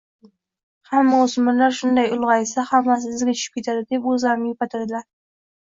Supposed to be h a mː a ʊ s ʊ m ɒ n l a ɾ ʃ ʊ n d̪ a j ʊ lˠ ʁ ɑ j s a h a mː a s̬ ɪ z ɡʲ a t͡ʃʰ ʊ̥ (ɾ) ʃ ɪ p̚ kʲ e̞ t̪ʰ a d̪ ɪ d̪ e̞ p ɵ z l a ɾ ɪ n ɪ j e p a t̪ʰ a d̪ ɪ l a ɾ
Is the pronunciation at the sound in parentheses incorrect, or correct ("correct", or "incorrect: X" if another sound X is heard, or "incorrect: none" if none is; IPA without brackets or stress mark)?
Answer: incorrect: none